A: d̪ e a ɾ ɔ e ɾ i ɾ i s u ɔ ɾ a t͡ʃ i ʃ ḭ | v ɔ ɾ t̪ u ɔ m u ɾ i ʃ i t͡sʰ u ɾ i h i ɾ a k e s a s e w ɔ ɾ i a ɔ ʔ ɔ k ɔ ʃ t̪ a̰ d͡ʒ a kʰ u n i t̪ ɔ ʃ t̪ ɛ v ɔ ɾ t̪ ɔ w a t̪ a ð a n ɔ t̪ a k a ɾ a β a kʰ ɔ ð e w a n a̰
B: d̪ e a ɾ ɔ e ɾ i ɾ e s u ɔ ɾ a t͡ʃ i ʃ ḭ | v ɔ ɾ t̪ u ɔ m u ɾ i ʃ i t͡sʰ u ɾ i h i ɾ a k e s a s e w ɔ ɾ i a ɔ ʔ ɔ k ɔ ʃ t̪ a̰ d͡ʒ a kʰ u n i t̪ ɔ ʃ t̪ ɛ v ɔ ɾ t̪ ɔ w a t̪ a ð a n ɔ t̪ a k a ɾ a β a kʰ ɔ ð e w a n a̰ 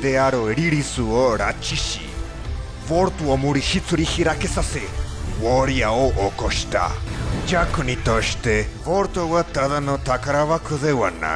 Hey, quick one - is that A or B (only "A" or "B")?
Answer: A